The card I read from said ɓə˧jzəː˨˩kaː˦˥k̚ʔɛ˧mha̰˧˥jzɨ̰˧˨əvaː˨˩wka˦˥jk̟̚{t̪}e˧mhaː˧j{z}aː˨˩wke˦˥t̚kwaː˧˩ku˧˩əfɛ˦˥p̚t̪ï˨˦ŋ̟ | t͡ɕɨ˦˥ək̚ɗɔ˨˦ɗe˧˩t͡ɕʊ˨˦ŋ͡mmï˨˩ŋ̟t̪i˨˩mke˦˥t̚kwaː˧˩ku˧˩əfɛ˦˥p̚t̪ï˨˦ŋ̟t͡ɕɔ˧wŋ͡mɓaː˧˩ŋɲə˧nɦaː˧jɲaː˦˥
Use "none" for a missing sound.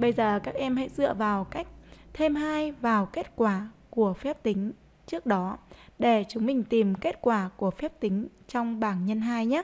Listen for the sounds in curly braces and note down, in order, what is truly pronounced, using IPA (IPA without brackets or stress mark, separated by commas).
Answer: t̪ʰ, v